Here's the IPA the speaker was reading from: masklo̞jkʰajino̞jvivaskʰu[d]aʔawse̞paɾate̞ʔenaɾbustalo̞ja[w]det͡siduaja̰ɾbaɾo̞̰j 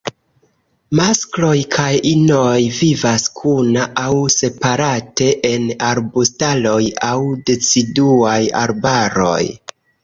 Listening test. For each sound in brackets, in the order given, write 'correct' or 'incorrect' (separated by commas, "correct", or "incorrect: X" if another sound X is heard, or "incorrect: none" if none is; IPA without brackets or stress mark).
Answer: incorrect: n, correct